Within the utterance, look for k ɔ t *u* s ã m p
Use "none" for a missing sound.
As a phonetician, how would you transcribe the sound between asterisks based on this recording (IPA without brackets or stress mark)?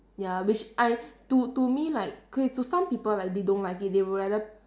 u